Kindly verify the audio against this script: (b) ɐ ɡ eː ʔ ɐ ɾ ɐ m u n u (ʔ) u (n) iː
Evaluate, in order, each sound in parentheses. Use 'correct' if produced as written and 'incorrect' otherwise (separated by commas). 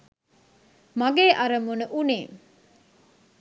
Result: incorrect, correct, correct